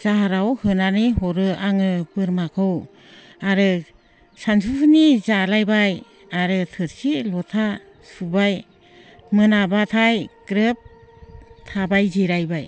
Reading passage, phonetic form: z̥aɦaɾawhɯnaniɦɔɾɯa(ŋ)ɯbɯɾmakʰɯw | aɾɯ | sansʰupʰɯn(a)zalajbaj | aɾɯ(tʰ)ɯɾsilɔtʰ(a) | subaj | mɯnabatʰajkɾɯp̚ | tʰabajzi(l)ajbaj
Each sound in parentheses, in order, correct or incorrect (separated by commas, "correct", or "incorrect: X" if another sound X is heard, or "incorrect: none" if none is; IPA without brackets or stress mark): correct, incorrect: i, correct, correct, incorrect: ɾ